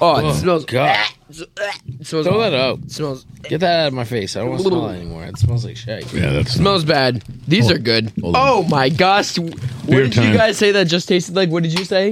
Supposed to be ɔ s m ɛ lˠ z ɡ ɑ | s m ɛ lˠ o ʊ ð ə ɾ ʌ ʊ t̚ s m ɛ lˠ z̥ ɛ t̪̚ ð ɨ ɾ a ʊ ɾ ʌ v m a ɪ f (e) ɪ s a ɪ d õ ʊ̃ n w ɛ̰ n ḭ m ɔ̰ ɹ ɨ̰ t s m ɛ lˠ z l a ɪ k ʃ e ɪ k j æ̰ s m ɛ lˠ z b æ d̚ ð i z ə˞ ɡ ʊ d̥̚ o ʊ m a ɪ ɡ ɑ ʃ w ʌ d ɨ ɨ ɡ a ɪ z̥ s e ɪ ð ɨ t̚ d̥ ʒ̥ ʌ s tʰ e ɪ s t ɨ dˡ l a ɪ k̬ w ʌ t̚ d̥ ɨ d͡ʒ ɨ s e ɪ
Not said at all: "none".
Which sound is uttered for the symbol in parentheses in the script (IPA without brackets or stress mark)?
e